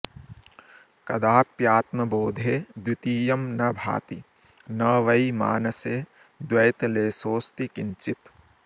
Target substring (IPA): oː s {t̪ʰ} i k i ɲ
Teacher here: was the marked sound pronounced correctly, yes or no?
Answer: no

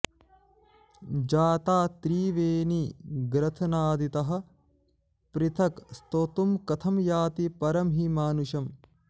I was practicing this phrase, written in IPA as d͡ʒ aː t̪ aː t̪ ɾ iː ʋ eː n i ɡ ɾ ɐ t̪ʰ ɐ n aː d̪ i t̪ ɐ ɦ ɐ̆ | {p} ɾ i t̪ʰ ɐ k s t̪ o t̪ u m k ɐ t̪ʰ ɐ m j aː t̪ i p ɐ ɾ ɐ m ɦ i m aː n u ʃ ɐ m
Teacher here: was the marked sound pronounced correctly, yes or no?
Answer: yes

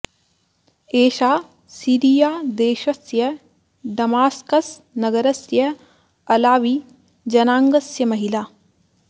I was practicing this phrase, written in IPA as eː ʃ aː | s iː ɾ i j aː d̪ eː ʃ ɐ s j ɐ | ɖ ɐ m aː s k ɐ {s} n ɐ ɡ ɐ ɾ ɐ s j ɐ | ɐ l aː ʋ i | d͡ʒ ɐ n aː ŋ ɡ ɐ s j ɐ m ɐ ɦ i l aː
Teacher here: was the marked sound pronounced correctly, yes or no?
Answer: yes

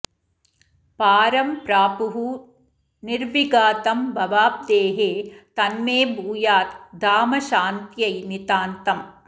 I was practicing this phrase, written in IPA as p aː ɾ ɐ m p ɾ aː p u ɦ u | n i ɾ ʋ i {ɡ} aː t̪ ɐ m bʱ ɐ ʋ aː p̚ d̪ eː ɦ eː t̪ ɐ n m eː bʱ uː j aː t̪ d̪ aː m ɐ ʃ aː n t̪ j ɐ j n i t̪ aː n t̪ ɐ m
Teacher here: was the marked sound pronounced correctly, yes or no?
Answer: yes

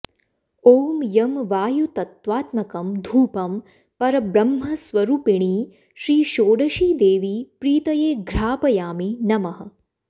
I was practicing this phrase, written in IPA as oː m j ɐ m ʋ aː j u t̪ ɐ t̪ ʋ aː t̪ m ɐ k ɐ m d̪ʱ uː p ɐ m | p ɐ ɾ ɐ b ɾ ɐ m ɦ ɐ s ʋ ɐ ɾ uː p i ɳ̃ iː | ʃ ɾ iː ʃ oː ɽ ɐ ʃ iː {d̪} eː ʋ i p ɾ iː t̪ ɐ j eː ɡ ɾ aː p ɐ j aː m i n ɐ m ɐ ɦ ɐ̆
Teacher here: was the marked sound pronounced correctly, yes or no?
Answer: yes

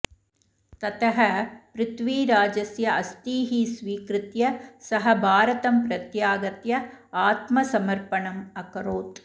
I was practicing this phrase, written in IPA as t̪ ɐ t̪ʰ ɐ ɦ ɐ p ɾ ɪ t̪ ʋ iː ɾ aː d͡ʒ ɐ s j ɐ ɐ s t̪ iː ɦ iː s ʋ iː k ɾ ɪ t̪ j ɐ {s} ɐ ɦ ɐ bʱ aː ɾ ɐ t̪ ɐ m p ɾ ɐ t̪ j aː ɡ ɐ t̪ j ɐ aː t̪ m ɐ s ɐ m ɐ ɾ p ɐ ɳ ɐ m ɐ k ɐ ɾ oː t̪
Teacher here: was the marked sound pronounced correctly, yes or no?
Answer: yes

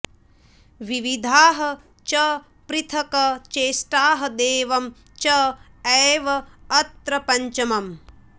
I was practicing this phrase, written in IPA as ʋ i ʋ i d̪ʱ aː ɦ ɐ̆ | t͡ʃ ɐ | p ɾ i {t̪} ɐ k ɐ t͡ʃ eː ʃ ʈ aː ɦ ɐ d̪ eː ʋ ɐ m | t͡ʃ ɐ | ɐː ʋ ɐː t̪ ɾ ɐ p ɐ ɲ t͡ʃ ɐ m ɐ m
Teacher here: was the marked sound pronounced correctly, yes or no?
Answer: no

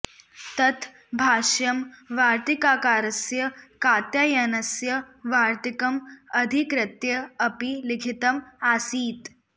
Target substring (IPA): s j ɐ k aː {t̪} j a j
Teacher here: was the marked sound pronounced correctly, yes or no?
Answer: yes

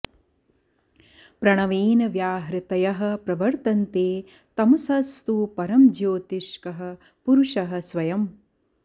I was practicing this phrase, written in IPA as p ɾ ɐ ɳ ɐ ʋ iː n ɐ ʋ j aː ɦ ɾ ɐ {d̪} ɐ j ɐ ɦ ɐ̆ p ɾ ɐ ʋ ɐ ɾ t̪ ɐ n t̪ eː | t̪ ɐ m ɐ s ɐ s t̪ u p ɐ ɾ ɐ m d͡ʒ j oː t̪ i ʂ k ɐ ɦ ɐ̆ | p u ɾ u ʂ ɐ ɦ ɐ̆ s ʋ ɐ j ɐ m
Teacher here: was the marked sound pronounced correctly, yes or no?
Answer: no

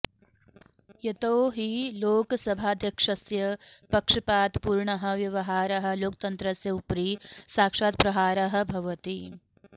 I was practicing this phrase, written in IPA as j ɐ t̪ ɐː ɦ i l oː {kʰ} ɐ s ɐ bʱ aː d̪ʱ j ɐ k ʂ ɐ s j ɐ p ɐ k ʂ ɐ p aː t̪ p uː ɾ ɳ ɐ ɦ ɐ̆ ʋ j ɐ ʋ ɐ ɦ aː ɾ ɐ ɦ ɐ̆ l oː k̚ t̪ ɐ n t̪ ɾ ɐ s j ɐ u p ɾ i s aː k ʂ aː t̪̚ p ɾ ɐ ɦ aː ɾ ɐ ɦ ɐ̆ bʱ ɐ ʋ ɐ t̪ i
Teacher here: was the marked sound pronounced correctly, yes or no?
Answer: no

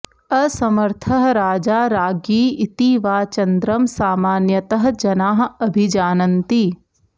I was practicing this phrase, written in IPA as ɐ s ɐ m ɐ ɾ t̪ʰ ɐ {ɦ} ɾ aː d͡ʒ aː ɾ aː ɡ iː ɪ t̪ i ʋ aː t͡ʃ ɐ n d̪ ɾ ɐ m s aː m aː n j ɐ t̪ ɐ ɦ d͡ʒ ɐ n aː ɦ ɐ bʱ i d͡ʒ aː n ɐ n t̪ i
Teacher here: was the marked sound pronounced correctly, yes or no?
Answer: yes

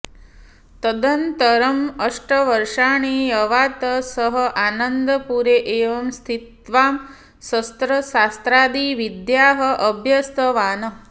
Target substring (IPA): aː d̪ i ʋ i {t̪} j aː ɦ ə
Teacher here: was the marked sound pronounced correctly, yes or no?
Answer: no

